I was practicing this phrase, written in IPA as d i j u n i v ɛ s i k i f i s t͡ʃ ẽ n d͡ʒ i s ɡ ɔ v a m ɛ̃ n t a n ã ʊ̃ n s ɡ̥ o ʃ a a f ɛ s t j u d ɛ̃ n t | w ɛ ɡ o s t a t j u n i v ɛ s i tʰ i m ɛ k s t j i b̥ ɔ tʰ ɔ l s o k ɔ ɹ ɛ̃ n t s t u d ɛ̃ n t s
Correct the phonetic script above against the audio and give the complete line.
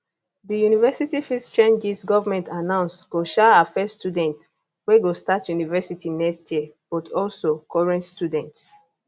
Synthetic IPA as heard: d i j u n i v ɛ s i t i f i s t͡ʃ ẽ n d͡ʒ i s ɡ ɔ v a m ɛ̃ n t a n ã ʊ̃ n s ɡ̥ o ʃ a a f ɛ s t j u d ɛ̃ n t | w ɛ ɡ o s t a t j u n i v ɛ s i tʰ i n ɛ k s t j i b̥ ɔ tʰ ɔ l s o k ɔ ɹ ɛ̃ n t s t u d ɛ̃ n t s